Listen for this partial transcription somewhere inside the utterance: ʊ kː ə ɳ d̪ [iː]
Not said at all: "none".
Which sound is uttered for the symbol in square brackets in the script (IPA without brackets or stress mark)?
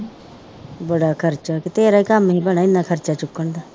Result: aː